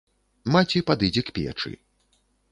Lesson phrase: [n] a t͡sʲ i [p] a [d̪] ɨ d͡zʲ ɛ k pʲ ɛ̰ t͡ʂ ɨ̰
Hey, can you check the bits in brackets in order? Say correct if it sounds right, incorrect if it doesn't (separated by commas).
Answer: incorrect, correct, correct